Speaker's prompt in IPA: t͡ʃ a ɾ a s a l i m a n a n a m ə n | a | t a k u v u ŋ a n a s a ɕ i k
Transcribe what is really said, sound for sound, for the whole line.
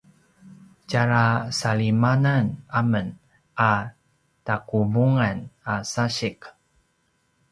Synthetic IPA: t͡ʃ a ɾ a s a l i m a n a n a m ə n | a | t a k u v u ŋ a n a s a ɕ i k